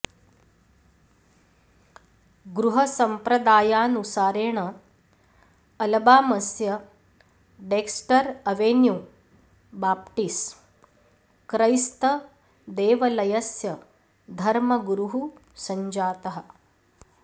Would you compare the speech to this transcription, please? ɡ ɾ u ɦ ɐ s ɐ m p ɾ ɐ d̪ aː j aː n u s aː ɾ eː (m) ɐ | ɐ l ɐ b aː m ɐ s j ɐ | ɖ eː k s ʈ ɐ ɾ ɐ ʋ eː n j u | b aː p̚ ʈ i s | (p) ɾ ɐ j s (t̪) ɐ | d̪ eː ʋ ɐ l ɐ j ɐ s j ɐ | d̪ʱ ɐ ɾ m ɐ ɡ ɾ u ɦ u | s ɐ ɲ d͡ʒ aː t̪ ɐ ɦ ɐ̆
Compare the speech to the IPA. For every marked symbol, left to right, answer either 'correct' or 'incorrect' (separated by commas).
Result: incorrect, incorrect, correct